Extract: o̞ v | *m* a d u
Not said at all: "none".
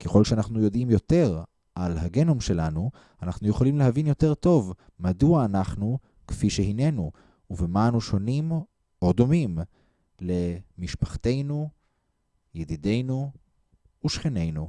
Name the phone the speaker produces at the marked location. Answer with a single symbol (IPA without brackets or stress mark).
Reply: m